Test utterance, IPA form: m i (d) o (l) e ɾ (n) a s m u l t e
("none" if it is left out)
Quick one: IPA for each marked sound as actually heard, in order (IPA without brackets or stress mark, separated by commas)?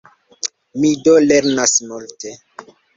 d, l, n